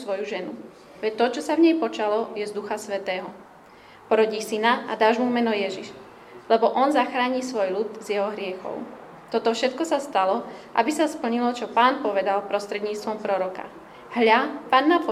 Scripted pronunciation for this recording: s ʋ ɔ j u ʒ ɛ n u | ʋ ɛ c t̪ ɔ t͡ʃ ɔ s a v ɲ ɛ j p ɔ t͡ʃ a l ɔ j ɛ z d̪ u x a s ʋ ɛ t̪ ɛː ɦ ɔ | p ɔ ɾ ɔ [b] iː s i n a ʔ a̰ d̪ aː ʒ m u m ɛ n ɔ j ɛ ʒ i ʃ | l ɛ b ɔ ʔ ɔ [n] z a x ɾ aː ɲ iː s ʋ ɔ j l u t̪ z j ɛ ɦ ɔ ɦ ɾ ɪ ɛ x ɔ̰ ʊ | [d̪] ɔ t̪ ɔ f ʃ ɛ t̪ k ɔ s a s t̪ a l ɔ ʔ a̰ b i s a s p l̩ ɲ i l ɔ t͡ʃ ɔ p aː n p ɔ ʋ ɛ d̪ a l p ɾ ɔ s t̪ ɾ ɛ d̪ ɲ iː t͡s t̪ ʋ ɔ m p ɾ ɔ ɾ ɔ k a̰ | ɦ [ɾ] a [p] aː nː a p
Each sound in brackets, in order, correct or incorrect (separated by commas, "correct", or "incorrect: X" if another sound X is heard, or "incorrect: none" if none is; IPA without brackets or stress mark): incorrect: ɟ, correct, incorrect: t̪, incorrect: ʎ, correct